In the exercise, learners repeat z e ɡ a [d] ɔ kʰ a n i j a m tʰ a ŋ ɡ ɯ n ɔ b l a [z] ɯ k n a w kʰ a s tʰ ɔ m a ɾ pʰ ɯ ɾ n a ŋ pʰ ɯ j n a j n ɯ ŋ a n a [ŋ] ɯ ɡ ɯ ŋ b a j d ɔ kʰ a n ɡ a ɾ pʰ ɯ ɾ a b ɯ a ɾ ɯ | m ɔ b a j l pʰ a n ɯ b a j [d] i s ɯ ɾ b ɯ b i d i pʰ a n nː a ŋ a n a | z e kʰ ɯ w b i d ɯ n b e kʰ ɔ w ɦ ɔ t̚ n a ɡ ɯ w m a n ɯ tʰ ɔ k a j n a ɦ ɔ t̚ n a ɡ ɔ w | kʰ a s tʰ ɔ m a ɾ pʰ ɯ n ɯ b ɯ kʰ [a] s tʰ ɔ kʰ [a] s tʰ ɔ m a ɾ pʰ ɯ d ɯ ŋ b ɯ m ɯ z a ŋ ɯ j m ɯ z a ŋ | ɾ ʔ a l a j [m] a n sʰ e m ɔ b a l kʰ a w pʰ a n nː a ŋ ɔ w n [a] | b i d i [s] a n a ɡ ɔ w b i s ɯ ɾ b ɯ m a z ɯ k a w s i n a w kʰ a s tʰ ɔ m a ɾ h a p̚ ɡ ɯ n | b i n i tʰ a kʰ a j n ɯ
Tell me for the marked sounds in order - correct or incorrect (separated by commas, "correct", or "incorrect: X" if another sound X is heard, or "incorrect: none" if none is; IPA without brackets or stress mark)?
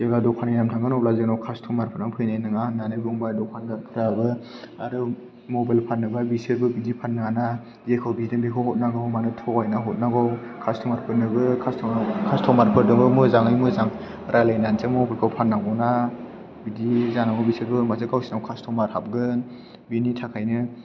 correct, correct, incorrect: n, incorrect: b, correct, correct, incorrect: n, correct, incorrect: z